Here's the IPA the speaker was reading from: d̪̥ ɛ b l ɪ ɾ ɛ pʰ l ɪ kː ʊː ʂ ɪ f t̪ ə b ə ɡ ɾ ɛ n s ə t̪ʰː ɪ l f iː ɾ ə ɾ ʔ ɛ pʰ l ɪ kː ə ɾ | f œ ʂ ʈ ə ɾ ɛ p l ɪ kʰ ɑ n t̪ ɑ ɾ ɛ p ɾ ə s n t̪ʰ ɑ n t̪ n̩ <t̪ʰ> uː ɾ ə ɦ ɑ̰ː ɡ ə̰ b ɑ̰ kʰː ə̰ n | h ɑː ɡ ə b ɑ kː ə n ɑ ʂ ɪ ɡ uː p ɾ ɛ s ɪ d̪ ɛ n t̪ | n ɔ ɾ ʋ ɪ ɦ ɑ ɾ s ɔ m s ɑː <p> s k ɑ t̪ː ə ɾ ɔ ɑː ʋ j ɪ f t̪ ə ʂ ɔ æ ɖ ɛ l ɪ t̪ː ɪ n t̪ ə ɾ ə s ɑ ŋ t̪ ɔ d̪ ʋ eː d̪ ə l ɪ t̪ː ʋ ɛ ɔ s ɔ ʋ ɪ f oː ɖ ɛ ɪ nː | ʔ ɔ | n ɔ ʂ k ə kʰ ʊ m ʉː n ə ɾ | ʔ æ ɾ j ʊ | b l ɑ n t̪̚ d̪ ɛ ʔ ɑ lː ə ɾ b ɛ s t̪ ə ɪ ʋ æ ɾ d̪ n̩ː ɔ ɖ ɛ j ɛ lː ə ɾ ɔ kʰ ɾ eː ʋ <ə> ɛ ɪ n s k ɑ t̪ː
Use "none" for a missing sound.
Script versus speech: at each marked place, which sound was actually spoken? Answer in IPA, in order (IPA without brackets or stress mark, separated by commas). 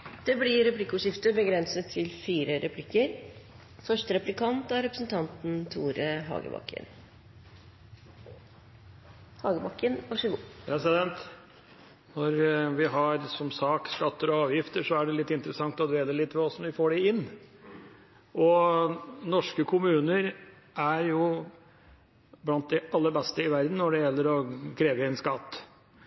t̪ʰ, k, ə